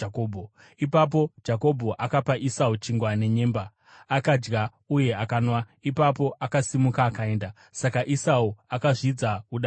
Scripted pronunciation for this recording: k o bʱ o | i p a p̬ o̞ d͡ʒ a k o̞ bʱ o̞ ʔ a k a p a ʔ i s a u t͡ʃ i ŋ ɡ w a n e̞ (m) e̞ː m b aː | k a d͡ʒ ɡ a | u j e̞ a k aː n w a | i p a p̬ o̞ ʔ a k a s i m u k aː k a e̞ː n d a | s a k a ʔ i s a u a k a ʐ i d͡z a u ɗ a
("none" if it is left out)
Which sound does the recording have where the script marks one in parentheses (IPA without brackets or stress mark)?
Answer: ɲ